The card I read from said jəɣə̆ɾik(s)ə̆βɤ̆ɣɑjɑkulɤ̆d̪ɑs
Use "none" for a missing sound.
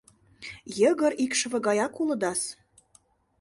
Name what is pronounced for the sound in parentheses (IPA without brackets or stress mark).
ʃ